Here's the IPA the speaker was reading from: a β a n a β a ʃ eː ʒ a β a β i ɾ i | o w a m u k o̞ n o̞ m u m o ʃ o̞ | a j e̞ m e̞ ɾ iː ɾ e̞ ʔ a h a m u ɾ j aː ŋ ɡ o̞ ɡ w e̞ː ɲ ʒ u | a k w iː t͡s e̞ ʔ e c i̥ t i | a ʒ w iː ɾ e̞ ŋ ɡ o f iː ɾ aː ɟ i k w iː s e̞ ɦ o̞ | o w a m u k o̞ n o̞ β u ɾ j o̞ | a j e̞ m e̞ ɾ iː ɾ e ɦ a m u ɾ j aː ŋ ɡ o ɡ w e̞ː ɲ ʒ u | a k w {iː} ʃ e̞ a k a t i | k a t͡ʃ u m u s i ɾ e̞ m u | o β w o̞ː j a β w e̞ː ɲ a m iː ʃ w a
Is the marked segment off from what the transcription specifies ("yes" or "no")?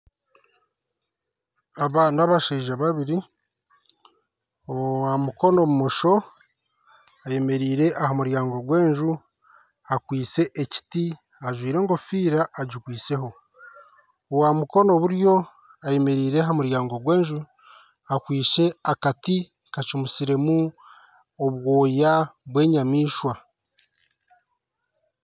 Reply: no